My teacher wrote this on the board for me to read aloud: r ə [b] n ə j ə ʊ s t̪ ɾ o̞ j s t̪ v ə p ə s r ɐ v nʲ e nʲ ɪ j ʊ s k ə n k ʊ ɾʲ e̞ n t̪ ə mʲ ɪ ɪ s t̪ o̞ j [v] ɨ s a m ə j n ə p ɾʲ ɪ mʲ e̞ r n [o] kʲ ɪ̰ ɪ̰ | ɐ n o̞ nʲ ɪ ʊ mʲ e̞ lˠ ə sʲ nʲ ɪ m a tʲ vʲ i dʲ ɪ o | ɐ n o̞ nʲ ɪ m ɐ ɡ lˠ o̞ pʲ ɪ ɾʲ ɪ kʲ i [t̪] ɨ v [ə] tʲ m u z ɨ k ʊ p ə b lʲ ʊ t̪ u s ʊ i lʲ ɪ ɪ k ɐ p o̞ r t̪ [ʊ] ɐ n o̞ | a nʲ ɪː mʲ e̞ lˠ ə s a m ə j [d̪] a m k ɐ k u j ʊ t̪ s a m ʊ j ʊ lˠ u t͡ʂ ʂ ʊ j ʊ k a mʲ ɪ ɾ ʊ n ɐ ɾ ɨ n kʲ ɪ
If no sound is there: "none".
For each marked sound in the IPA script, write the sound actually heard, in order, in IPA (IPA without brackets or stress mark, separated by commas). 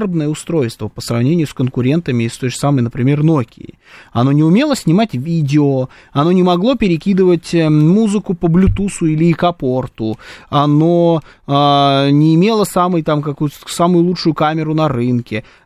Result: b, ʐ, o, d̪, ə, ʊ, t̪